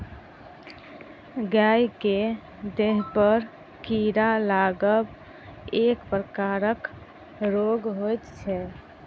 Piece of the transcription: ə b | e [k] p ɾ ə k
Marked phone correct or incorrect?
correct